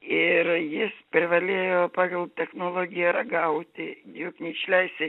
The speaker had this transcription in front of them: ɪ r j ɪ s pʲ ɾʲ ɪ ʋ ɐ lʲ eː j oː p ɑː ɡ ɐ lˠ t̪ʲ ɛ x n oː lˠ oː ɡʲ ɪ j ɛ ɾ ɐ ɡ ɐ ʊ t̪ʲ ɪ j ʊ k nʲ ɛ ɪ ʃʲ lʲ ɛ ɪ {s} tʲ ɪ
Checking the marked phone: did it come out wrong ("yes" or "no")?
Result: no